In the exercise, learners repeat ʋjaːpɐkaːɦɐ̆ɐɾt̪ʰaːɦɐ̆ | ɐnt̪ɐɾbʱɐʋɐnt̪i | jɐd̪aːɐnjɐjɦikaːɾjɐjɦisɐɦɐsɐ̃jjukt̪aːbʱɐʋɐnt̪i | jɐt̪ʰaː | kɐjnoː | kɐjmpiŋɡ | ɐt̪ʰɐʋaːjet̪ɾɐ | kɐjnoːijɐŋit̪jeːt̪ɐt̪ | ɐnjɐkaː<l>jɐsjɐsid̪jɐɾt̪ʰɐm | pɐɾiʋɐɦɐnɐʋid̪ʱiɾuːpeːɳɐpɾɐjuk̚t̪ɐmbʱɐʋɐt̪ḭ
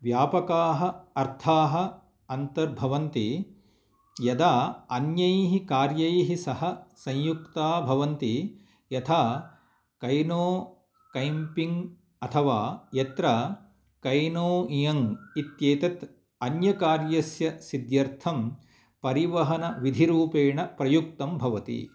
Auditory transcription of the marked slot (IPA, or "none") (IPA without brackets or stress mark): ɾ